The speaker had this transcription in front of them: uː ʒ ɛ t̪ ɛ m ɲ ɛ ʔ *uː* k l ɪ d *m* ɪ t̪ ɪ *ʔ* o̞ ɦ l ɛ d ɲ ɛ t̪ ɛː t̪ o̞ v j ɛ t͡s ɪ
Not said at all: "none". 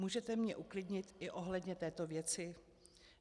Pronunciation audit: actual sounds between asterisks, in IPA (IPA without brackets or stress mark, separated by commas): u, ɲ, ʔ